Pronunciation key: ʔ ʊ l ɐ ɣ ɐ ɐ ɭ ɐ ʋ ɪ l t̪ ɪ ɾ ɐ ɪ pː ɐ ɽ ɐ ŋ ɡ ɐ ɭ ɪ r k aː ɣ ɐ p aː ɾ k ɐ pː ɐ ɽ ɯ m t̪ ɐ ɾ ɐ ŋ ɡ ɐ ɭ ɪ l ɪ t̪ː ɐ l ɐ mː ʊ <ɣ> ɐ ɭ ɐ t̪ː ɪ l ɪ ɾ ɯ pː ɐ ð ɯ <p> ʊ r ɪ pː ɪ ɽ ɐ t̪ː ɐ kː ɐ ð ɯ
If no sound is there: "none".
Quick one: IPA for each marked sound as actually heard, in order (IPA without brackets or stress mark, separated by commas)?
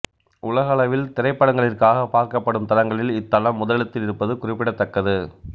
ð, k